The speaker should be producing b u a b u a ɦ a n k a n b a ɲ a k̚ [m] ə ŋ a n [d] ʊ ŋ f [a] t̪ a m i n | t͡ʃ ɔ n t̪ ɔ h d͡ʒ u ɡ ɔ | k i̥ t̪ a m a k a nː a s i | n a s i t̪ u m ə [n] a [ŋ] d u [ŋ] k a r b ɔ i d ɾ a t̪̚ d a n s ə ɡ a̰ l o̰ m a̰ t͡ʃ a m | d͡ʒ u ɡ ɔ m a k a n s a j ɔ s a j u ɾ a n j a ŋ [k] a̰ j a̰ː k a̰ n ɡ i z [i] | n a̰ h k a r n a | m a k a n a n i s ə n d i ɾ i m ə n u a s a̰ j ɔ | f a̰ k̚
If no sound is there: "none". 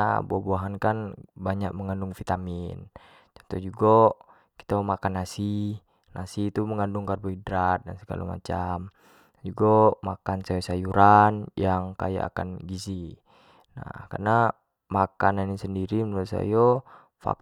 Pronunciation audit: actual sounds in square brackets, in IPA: m, d, i, ŋ, n, ŋ, k, i

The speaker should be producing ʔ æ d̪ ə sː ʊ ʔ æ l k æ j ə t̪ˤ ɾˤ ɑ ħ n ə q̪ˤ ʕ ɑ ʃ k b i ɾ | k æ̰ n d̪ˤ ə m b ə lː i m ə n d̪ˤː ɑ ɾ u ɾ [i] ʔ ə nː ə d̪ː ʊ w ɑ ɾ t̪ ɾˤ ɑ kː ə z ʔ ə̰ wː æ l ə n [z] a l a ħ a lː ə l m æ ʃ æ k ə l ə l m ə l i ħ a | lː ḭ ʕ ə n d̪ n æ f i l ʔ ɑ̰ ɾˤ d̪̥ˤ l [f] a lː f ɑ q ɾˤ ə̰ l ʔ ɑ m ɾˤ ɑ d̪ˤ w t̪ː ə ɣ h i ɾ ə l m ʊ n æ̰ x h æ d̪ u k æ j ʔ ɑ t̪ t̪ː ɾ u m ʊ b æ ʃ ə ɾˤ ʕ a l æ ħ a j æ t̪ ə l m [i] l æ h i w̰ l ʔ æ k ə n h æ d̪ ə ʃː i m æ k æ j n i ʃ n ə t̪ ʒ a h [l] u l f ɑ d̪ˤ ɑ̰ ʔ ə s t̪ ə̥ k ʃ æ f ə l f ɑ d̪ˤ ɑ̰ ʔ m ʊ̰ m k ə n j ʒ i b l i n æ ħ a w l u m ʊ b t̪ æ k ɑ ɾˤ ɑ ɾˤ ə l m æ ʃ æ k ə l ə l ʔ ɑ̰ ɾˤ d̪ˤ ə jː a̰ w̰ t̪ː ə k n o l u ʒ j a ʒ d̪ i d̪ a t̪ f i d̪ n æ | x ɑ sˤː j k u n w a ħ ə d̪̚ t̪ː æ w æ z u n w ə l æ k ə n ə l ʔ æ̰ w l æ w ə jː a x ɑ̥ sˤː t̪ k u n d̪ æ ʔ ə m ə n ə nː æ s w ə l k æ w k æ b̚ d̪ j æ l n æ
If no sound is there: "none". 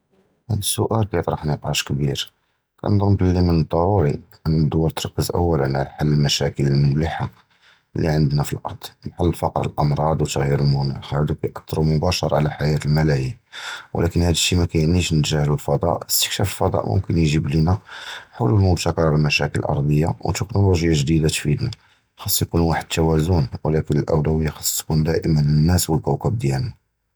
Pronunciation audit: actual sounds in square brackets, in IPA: i, ʕ, ħ, æ, l

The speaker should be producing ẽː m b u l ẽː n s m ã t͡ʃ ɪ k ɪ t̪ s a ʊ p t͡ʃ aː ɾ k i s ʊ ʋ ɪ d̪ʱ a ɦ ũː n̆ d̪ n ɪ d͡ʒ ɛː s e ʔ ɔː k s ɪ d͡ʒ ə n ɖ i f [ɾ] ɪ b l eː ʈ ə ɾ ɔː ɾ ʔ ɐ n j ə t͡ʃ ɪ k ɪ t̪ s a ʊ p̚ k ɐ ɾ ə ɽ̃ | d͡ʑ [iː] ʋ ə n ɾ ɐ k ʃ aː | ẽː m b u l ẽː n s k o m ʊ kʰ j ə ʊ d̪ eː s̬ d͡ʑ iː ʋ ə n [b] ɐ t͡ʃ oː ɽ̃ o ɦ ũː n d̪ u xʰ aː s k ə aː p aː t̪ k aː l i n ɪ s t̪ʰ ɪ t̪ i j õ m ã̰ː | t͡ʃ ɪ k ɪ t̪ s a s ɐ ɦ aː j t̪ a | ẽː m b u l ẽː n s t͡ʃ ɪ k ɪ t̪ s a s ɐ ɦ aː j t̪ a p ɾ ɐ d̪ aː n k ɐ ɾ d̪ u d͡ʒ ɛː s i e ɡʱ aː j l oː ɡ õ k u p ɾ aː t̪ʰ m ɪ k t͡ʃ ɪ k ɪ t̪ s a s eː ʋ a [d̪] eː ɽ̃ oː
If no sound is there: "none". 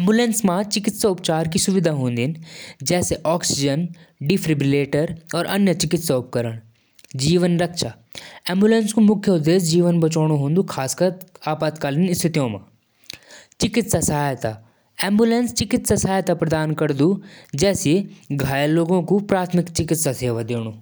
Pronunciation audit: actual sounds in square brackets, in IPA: ɾ, iː, b, d̪

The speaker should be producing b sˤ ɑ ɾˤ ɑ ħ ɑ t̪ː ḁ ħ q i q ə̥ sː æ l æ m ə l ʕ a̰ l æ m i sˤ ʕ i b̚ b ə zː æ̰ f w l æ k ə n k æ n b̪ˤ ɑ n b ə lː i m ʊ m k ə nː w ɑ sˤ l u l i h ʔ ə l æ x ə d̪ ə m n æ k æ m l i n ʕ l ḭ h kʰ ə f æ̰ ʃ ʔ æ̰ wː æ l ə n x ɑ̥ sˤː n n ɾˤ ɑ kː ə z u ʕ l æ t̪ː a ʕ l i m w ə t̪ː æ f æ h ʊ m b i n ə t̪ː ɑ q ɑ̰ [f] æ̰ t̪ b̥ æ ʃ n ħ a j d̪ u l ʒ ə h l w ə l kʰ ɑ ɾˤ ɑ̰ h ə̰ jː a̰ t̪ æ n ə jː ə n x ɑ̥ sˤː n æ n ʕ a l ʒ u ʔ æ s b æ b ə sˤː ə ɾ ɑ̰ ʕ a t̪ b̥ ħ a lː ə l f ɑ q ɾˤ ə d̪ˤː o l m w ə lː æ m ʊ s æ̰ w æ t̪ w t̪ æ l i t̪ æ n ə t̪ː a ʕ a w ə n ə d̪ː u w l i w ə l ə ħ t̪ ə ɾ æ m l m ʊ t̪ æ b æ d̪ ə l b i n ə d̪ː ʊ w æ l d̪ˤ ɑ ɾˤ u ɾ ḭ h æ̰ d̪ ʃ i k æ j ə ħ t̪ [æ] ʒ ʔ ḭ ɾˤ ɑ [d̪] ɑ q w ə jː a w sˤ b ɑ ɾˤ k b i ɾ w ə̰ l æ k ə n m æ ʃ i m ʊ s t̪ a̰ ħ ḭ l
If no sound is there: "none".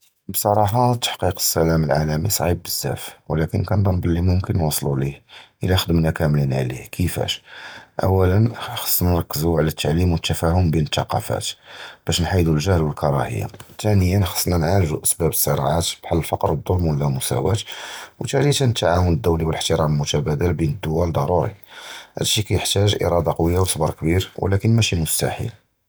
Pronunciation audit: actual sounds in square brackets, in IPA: f, æ, d̪

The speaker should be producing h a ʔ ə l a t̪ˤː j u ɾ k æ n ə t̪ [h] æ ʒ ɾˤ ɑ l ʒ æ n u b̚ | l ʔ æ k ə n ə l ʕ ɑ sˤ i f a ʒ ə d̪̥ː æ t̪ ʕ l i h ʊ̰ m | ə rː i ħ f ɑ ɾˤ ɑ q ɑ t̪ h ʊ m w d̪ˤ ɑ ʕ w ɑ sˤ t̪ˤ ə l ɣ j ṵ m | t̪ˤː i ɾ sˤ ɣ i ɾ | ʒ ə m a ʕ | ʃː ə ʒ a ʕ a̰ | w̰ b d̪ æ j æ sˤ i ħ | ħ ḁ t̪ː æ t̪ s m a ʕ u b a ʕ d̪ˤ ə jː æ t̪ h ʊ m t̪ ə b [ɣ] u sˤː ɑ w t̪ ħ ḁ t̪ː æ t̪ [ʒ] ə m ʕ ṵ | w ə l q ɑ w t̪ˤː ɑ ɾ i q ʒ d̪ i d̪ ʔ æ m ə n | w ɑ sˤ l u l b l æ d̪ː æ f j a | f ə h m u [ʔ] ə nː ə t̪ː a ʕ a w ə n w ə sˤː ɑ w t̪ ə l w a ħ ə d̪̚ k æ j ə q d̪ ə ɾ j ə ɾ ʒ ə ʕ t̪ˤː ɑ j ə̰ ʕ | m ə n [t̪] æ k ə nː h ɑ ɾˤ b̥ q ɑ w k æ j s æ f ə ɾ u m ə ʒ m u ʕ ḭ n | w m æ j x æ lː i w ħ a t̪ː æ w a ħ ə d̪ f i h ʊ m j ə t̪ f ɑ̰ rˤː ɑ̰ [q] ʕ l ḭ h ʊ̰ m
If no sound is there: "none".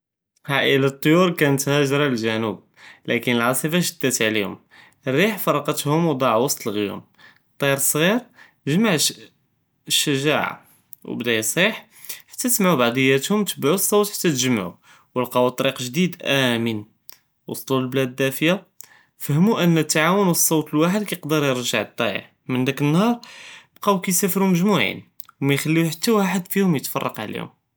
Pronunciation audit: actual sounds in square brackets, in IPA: h, ʕ, ʒ, ʔ, d̪, q

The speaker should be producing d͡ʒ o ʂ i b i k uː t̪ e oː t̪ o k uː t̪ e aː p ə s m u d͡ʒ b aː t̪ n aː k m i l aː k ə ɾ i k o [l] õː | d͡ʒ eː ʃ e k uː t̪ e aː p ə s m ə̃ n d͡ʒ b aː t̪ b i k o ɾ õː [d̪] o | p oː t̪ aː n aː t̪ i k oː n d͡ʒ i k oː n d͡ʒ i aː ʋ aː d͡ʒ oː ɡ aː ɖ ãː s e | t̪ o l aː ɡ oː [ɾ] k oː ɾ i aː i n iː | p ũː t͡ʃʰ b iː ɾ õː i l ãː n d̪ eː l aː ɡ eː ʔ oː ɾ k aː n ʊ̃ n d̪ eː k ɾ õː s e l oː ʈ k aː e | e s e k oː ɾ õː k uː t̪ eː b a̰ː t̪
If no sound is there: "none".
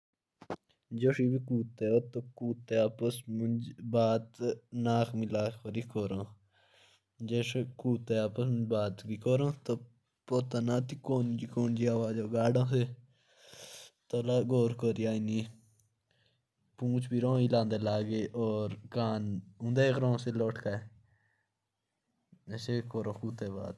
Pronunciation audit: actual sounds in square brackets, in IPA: ɾ, t̪, ɾ

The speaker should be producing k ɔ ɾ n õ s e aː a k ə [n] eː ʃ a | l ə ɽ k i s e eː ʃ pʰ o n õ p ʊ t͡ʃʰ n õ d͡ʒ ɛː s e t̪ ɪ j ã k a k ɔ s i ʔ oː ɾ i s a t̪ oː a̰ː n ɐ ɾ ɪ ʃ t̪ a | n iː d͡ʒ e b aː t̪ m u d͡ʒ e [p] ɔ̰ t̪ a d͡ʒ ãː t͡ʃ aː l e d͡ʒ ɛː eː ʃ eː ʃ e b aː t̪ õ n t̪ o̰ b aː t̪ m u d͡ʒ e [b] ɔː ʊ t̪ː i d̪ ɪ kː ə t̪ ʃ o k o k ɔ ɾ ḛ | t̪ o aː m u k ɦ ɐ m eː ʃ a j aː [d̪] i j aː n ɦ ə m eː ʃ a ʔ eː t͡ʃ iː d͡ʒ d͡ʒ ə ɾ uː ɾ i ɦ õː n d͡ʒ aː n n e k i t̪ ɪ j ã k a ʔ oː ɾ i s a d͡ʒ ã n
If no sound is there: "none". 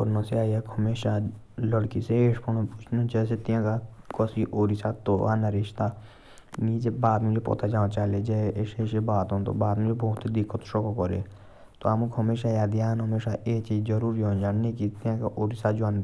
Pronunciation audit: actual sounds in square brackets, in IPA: m, p, b, d̪

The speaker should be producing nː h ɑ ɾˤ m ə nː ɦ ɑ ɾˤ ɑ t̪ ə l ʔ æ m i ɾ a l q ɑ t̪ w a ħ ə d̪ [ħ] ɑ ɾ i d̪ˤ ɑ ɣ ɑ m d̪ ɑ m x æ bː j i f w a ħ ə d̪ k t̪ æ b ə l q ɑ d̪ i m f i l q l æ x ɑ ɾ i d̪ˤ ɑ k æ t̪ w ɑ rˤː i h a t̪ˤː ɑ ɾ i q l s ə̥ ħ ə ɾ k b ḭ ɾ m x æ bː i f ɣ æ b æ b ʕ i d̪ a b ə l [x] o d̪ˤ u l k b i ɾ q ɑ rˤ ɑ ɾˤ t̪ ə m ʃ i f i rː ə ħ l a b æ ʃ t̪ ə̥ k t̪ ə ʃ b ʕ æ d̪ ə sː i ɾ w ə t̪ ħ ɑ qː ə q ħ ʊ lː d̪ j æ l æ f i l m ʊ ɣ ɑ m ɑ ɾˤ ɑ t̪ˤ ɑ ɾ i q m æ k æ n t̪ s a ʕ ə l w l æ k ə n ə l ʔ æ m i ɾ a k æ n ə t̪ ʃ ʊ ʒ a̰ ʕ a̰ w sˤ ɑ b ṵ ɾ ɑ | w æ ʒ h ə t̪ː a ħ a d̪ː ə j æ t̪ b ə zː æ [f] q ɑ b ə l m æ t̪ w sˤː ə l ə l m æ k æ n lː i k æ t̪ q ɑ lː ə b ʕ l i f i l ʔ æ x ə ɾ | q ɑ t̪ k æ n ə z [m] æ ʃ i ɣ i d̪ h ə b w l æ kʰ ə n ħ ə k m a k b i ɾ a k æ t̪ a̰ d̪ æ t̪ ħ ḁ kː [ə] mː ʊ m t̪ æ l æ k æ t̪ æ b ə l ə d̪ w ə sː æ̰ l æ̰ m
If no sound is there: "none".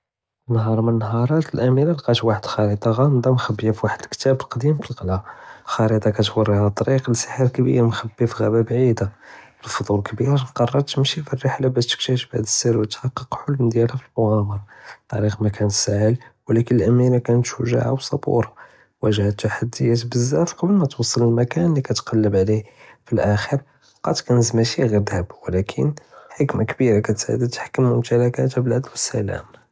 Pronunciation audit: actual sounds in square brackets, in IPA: x, f, f, m, ə

